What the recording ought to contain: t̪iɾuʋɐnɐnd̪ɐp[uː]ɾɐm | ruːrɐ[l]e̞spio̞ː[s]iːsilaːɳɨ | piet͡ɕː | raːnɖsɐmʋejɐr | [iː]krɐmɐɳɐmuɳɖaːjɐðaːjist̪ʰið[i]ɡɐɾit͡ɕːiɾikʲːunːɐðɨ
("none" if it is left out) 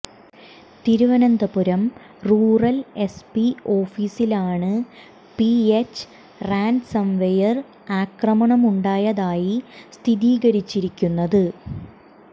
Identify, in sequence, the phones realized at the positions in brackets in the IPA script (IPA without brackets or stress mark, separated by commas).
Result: u, l, f, aː, iː